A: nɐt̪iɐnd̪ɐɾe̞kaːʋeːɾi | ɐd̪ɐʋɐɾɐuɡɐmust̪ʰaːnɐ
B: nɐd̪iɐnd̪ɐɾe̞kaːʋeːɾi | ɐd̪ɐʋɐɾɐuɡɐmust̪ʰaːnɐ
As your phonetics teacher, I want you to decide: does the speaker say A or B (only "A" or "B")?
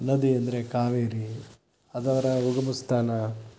B